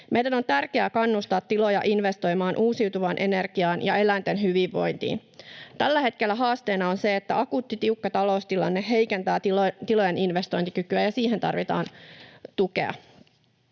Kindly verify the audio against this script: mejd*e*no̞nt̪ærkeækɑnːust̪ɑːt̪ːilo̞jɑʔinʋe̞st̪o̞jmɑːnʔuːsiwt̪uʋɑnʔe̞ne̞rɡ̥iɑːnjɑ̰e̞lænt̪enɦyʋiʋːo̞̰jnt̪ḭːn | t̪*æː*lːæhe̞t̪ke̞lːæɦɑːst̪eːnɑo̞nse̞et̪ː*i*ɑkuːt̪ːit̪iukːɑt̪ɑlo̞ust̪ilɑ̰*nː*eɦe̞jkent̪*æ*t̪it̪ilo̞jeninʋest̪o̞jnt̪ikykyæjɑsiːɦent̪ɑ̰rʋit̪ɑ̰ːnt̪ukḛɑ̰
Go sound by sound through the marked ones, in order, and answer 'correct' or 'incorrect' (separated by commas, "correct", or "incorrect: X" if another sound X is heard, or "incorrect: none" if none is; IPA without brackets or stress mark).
incorrect: æ, incorrect: æ, incorrect: æ, correct, incorrect: æː